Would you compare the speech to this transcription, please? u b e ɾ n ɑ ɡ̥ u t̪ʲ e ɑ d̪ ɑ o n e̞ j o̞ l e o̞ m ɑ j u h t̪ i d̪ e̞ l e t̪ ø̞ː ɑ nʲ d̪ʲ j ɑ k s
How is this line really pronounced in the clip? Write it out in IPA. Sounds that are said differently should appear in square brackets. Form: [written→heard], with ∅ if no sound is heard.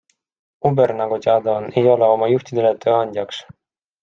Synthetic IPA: u b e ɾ n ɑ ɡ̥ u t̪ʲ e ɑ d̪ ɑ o n e̞ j o̞ l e o̞ m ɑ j u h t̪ i d̪ e̞ l e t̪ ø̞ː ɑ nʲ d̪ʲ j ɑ k s